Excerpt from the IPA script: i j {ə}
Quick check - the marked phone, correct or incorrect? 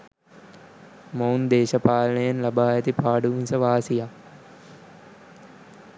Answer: incorrect